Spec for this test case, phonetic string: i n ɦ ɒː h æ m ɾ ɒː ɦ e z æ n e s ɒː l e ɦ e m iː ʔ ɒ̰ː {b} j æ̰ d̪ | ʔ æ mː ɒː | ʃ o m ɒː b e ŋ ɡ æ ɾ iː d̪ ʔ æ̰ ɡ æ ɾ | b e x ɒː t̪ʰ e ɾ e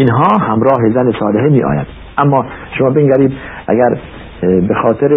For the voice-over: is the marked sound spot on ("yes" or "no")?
no